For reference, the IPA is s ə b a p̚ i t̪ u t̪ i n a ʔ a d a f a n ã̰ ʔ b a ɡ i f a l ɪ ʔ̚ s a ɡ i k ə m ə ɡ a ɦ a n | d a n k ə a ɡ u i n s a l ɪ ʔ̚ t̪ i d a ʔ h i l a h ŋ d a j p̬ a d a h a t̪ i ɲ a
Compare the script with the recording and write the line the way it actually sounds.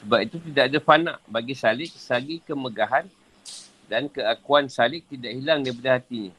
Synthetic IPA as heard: s ə b a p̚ i t̪ u t̪ i d a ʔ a d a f a n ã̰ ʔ b a ɡ i s a l ɪ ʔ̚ s a ɡ i k ə m ə ɡ a ɦ a n | d a n k ə a k u a n s a l ɪ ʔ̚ t̪ i d a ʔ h i l a ŋ d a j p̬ a d a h a t̪ i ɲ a